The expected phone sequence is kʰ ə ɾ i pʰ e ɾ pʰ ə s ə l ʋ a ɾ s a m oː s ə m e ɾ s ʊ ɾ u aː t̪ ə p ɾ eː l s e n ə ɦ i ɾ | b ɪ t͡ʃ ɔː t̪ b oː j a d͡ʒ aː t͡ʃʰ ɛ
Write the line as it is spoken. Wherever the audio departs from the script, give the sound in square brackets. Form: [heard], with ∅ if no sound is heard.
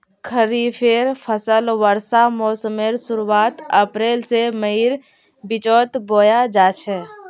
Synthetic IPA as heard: kʰ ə ɾ i pʰ e ɾ pʰ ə s ə l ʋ [ə] ɾ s a m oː s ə m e ɾ s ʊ ɾ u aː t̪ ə p ɾ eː l s e [m] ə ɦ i ɾ | b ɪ t͡ʃ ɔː t̪ b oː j a d͡ʒ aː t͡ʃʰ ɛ